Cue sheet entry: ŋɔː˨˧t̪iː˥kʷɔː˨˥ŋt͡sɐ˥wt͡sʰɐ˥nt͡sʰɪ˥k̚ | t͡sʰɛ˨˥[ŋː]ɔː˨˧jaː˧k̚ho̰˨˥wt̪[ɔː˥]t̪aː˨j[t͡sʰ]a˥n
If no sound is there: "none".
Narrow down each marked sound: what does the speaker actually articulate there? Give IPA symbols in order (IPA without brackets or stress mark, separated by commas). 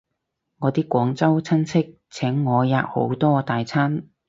ŋː, ɔː˥, t͡sʰ